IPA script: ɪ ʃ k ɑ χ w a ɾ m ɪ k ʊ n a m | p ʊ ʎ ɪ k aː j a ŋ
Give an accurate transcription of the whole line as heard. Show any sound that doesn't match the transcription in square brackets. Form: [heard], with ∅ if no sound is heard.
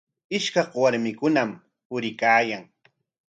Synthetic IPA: ɪ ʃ k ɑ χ w a ɾ m ɪ k ʊ n a m | p ʊ [ɾ] ɪ k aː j a ŋ